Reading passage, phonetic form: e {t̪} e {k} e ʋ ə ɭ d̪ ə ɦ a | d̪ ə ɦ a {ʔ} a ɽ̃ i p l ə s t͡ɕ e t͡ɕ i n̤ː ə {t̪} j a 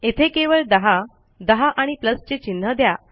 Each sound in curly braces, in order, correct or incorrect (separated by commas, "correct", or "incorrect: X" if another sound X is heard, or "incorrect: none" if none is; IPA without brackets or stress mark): incorrect: t̪ʰ, correct, correct, incorrect: d̪